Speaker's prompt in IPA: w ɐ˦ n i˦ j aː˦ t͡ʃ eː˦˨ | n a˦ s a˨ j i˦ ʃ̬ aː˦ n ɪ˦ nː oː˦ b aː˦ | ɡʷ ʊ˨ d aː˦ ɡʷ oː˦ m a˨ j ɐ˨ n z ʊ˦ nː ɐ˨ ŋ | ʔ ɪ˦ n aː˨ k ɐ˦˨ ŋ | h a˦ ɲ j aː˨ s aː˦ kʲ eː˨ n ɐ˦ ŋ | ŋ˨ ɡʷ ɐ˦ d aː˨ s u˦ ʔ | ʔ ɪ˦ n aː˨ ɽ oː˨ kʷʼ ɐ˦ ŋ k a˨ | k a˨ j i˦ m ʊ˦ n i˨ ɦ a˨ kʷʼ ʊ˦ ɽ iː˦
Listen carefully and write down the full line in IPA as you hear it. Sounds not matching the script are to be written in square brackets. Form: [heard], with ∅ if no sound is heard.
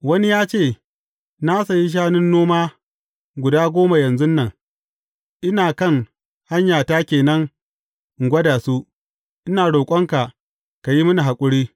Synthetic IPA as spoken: w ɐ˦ n i˦ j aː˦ t͡ʃ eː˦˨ | n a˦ s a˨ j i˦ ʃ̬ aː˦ n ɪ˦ nː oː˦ [m] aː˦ | ɡʷ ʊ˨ d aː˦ ɡʷ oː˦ m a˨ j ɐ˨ n z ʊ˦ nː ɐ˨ ŋ | ʔ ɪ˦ n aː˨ k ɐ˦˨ ŋ | h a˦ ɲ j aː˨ [t] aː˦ kʲ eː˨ n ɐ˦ ŋ | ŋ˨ ɡʷ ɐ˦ d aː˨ s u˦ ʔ | ʔ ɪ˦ n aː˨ ɽ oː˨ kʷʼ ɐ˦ ŋ k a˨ | k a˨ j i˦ m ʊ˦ n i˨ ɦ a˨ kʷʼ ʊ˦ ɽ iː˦

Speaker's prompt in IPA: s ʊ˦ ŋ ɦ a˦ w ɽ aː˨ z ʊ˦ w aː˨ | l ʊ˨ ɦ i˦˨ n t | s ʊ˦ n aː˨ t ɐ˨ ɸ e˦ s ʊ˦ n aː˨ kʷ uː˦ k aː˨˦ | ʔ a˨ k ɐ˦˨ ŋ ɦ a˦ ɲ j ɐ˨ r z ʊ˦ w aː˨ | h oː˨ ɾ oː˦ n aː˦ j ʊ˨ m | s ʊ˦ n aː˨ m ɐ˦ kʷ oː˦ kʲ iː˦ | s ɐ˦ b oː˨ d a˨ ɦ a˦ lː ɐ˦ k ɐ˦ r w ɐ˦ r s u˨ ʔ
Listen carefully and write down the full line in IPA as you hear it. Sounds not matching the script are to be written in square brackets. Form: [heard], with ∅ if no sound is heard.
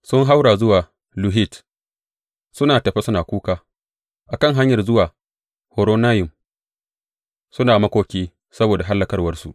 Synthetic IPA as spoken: s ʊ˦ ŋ ɦ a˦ w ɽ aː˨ z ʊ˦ w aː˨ | l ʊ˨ ɦ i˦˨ [∅] t | s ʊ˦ n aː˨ t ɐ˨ ɸ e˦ s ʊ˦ n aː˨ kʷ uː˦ k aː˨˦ | ʔ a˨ k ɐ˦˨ ŋ ɦ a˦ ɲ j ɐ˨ r z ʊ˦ w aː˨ | h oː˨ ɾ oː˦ n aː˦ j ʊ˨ m | s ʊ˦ n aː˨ m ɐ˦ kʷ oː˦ kʲ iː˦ | s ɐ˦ b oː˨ d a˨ ɦ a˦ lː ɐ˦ k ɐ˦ r w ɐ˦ r s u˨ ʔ

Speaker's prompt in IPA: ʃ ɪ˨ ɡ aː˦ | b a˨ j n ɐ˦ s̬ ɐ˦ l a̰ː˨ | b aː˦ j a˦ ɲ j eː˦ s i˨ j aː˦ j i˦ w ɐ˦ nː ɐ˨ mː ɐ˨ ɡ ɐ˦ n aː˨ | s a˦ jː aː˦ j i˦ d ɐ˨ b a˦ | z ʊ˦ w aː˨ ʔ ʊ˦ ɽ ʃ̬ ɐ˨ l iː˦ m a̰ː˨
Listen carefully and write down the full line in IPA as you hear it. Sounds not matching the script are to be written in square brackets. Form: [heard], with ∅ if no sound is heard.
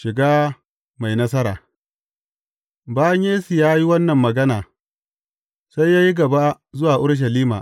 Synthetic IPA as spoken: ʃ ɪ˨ ɡ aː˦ | [m] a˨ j n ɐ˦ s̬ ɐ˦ [ɾ] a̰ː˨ | b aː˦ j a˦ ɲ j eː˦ s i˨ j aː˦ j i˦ w ɐ˦ nː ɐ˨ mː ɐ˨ ɡ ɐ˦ n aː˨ | s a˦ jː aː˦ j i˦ [ɡ] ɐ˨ b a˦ | z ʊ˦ w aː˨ ʔ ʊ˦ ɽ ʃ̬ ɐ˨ l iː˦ m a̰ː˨

